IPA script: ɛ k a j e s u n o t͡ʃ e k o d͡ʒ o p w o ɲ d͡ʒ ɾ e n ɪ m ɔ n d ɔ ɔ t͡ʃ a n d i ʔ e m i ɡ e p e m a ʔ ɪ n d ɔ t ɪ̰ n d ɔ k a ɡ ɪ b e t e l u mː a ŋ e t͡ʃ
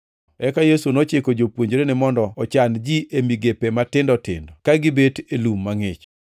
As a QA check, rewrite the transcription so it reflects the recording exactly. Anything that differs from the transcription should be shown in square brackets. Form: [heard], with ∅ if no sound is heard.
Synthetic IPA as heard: ɛ k a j e s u n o t͡ʃ e k o d͡ʒ o p w o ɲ d͡ʒ ɾ e n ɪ m ɔ n d ɔ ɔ t͡ʃ a n [d͡ʒ] i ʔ e m i ɡ e p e m a [t] ɪ n d ɔ t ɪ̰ n d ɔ k a ɡ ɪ b e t e l u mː a ŋ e t͡ʃ

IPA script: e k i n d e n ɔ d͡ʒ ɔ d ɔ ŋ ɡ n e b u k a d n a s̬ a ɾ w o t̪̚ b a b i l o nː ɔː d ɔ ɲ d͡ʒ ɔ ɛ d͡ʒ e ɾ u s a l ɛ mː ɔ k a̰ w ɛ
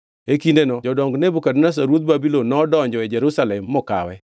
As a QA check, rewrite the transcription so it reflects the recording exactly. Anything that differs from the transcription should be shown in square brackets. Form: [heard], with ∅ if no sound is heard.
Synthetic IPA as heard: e k i n d e n ɔ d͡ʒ ɔ d ɔ ŋ ɡ n e b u k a d n a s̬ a ɾ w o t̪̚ b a b i l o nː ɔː d ɔ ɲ d͡ʒ ɔ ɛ d͡ʒ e ɾ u s a l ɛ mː ɔ k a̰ w ɛ

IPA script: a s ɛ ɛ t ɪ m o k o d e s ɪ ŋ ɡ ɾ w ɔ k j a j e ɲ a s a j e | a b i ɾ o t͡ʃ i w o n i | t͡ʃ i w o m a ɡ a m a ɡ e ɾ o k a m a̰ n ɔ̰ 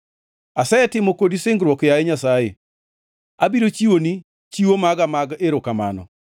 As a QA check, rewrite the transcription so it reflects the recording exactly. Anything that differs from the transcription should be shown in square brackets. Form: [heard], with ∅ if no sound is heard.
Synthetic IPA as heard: a s ɛ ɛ t ɪ m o k o d [i] s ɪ ŋ ɡ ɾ w ɔ k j a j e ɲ a s a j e | a b i ɾ o t͡ʃ i w o n i | t͡ʃ i w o m a ɡ a m a ɡ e ɾ o k a m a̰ n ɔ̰

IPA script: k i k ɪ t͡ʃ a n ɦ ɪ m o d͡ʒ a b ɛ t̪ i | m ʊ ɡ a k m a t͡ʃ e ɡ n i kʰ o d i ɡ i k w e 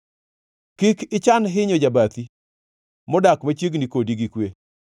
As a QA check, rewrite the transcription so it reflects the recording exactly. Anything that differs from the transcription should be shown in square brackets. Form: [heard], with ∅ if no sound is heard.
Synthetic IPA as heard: k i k ɪ t͡ʃ a n ɦ ɪ [ɲ] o d͡ʒ a b [a] t̪ i | m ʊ [d] a k m a t͡ʃ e ɡ n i [k] o d i ɡ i k w e

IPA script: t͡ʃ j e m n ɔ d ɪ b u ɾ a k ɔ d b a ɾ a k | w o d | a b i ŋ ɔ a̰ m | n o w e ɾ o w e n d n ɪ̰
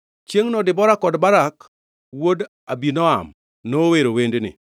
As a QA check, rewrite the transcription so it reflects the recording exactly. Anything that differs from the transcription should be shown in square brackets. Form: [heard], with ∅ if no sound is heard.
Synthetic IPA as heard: t͡ʃ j e [ŋ] n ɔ d ɪ b [ɔ] ɾ a k ɔ d b a ɾ a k | w o d | a b i [n] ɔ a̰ m | n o w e ɾ o w e n d n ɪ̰

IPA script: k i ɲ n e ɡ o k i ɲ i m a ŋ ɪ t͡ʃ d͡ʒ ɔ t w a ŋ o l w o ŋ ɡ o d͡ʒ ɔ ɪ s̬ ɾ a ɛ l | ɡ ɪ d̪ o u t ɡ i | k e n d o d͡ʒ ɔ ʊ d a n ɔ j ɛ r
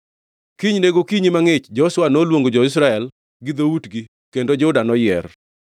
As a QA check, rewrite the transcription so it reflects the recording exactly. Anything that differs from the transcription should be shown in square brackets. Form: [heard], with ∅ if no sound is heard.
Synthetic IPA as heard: k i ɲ n e ɡ o k i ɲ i m a ŋ ɪ t͡ʃ d͡ʒ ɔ [s] w a [n] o l w o ŋ ɡ o d͡ʒ ɔ ɪ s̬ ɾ a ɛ l | ɡ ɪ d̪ o u t ɡ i | k e n d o d͡ʒ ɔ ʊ d a n ɔ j ɛ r

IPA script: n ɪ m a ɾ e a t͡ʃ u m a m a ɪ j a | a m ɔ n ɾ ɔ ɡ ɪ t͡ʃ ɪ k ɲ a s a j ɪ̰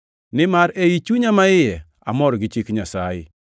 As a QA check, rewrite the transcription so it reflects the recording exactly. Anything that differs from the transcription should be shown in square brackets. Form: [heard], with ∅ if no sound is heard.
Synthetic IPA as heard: n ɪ m a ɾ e [i] t͡ʃ u [ɲ] a m a ɪ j [ɛ] | a m ɔ [∅] ɾ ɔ ɡ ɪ t͡ʃ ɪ k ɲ a s a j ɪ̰

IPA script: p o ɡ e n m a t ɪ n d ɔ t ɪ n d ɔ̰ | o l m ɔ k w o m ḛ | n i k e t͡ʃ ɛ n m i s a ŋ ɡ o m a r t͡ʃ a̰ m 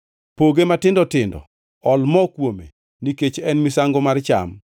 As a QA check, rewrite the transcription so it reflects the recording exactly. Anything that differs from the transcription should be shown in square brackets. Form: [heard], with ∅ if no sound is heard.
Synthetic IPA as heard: p o ɡ e [∅] m a t ɪ n d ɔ t ɪ n d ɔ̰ | [ɔ] l m ɔ k w o m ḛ | n i k e t͡ʃ ɛ n m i s a ŋ ɡ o m a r t͡ʃ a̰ m

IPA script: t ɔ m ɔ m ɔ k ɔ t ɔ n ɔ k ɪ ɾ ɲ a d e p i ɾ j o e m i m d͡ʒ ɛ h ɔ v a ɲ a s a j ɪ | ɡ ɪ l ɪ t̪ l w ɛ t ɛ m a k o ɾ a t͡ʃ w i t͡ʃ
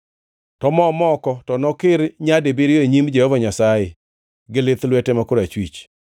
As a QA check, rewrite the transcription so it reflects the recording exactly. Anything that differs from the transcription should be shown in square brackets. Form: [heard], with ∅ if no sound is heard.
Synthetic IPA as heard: t ɔ m ɔ m ɔ k ɔ t ɔ n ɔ k ɪ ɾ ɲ a d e [b] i ɾ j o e [ɲ] i m d͡ʒ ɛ h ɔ v a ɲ a s a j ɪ | ɡ ɪ l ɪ t̪ l w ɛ t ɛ m a k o ɾ a t͡ʃ w i t͡ʃ

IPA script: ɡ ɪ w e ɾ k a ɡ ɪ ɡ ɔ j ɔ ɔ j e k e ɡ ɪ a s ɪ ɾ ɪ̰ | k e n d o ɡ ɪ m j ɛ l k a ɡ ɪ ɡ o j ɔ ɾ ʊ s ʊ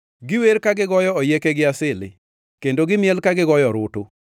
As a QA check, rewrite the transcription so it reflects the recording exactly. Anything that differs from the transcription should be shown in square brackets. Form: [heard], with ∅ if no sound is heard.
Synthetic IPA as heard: ɡ ɪ w e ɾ k a ɡ ɪ ɡ ɔ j ɔ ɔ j e k e ɡ ɪ a s ɪ [l] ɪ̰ | k e n d o ɡ ɪ m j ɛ l k a ɡ ɪ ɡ [ɔ] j ɔ ɾ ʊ [t] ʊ

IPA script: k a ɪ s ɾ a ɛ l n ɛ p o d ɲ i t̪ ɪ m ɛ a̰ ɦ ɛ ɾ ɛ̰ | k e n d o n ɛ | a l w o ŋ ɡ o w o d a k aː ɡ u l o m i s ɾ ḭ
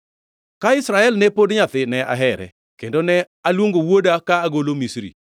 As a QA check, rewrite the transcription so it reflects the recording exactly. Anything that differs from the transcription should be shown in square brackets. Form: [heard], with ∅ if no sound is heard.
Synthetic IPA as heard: k a ɪ s ɾ a ɛ l n ɛ p o d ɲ [a] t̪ ɪ [n] ɛ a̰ ɦ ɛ ɾ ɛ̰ | k e n d o n ɛ | a l w o ŋ ɡ o w o d a k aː ɡ [o] l o m i s ɾ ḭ

